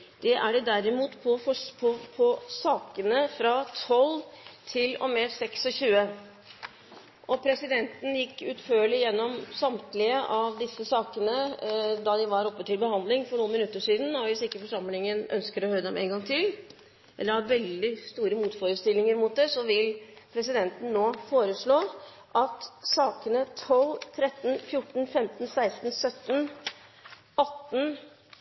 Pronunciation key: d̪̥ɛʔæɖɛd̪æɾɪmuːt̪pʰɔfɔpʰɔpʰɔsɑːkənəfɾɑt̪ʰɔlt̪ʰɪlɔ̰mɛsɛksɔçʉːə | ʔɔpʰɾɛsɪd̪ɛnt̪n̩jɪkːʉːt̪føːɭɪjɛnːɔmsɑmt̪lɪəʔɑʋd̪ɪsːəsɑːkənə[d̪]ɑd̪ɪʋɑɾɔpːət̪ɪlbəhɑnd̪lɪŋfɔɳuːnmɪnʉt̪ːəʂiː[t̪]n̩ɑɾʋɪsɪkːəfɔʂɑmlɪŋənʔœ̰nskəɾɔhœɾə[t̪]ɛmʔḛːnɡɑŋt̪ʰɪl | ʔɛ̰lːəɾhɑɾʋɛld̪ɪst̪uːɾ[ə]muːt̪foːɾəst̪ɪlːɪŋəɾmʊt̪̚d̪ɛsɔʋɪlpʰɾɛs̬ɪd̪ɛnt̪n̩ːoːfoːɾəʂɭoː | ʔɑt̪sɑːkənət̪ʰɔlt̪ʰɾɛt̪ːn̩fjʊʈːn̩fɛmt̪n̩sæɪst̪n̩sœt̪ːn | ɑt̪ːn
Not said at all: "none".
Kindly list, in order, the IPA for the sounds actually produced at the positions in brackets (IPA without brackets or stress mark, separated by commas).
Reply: d̪, d̪, d̪, ə